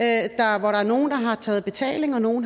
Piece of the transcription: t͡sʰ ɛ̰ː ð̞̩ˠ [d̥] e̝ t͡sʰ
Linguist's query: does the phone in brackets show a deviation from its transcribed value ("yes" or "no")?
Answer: yes